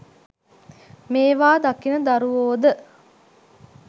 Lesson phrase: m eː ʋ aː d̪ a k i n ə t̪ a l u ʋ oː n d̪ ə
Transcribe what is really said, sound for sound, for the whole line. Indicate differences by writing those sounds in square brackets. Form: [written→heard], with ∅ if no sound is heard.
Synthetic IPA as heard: m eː ʋ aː d̪ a k i n ə [t̪→d̪] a [l→ɾ] u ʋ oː [n→∅] d̪ ə